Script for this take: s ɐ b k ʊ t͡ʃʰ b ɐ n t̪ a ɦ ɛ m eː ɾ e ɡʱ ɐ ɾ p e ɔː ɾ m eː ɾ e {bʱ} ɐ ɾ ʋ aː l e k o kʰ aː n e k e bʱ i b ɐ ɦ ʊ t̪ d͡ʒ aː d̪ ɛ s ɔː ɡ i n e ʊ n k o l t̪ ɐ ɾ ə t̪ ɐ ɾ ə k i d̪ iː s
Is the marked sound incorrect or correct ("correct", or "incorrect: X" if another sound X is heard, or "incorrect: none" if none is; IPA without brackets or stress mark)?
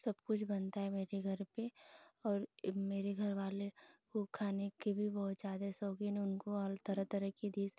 incorrect: ɡʱ